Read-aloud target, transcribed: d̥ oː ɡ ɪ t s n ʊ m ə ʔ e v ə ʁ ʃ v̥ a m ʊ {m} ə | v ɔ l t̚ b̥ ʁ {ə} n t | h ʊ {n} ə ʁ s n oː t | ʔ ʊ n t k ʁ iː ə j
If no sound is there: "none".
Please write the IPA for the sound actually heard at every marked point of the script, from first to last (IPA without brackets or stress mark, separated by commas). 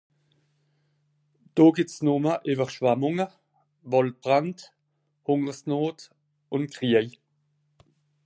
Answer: ŋ, a, ŋ